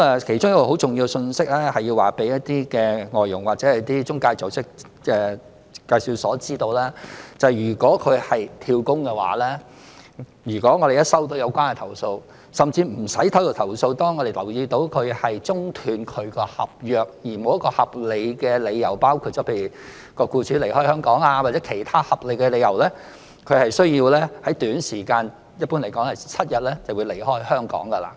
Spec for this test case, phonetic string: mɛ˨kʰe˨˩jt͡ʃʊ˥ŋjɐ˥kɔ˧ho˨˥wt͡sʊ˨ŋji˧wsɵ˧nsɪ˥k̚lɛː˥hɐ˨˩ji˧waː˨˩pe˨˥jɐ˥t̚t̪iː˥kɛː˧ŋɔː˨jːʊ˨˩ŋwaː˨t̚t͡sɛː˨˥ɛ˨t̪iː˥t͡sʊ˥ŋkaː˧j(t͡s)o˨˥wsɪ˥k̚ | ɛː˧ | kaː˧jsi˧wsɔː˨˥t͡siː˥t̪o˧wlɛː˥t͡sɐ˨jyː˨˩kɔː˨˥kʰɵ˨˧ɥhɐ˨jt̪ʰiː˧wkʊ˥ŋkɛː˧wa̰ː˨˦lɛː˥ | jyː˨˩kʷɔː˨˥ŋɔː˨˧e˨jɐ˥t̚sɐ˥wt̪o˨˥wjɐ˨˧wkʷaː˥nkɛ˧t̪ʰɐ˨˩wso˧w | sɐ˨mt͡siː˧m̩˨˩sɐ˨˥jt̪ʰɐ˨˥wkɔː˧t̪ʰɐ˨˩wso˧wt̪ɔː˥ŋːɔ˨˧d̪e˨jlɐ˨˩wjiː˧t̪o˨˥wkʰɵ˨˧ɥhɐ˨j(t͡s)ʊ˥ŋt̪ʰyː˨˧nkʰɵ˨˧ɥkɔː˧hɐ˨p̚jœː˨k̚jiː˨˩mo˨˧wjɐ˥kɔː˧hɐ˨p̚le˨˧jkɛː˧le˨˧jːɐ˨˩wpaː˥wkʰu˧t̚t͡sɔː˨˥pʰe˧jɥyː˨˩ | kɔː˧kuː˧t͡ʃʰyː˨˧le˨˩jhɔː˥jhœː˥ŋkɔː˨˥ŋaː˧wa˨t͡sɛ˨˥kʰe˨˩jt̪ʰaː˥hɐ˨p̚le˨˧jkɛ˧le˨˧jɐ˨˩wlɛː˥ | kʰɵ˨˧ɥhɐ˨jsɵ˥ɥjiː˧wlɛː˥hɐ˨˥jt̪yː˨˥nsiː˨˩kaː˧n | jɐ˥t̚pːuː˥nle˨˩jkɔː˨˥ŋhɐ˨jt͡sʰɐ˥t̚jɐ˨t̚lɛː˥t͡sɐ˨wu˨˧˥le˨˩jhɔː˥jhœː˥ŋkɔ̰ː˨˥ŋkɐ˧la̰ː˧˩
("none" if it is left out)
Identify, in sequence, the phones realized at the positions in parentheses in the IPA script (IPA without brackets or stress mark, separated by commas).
t͡s, t͡s